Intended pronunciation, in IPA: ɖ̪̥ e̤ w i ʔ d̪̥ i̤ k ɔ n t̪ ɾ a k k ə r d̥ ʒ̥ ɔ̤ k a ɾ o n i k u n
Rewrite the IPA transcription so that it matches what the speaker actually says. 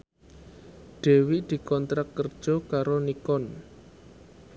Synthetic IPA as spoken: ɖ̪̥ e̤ w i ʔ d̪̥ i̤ k ɔ n t̪ ɾ a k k ə r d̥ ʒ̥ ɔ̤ k a ɾ o n i k ɔ n